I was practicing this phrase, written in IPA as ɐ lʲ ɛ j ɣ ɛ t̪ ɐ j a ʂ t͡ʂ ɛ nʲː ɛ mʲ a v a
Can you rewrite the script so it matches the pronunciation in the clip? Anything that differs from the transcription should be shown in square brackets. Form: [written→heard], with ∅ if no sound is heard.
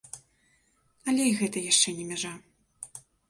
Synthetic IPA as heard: ɐ lʲ ɛ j ɣ ɛ t̪ ɐ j a ʂ t͡ʂ ɛ [nʲː→nʲ] ɛ mʲ a [v→ʐ] a